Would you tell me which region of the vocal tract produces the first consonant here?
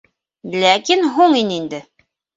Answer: tongue tip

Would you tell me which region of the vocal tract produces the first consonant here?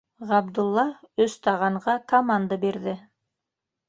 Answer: uvula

